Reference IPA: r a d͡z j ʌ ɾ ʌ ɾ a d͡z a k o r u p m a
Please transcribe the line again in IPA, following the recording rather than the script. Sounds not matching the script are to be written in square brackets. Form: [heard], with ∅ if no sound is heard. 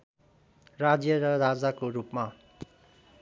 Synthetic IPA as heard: r a d͡z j ʌ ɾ ʌ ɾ a d͡z a k o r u p m a